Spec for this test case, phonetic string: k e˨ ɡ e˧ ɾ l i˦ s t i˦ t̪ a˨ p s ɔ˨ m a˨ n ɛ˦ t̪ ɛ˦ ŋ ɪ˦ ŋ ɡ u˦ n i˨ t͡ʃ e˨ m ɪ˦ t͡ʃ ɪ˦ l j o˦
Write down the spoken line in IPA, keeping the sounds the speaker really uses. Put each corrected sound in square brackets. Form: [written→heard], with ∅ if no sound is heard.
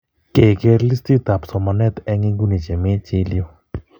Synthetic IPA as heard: k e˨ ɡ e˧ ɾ l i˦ s t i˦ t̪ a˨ p s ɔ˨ m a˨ n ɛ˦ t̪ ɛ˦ ŋ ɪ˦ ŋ ɡ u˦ n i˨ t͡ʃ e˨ m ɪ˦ t͡ʃ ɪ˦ l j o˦